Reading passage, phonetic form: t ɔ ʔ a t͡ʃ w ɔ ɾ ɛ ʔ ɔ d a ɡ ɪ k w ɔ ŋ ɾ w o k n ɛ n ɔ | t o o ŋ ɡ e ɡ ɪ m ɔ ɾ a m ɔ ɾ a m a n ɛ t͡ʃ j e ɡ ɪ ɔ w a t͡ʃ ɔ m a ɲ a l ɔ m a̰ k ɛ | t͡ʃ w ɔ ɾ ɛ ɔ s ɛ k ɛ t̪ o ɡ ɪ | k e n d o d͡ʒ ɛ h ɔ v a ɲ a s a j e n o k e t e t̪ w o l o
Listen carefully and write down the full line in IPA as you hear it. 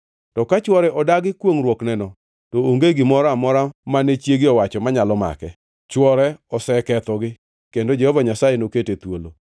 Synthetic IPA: t ɔ k a t͡ʃ w ɔ ɾ ɛ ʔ ɔ d a ɡ ɪ k w o ŋ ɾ w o k n ɛ n ɔ | t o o ŋ ɡ e ɡ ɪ m ɔ ɾ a m ɔ ɾ a m a n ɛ t͡ʃ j e ɡ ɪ ɔ w a t͡ʃ ɔ m a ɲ a l ɔ m a̰ k ɛ | t͡ʃ w ɔ ɾ ɛ ɔ s ɛ k ɛ t̪ ɔ ɡ ɪ | k e n d o d͡ʒ ɛ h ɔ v a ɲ a s a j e n o k e t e t̪ w o l o